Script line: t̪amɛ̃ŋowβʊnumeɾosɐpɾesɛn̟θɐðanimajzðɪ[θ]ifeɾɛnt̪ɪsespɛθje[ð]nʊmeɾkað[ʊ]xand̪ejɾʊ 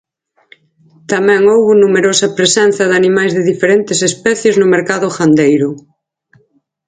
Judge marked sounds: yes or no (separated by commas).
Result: no, no, yes